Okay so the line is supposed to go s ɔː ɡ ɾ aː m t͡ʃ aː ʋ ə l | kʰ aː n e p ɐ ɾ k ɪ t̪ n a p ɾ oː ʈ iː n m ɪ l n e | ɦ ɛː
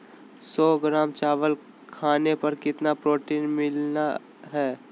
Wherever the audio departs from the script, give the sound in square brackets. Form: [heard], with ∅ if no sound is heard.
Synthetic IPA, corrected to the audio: s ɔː ɡ ɾ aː m t͡ʃ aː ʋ ə l | kʰ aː n e p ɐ ɾ k ɪ t̪ n a p ɾ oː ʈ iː n m ɪ l n [a] | ɦ ɛː